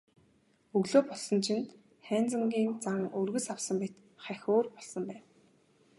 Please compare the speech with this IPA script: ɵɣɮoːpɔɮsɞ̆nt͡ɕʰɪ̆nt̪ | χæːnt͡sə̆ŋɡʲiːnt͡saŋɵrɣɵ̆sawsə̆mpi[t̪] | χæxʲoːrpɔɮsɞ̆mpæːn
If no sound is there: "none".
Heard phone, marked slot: t̪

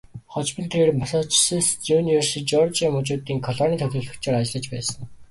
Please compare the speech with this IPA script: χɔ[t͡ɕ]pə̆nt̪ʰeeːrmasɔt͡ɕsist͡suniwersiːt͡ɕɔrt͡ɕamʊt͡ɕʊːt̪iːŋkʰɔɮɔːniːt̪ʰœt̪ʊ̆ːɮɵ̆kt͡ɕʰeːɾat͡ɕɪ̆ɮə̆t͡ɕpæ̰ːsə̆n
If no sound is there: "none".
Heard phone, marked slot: t͡ɕ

